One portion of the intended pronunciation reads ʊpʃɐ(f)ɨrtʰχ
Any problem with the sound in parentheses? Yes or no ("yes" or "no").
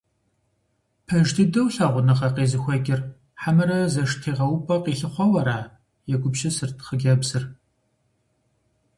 yes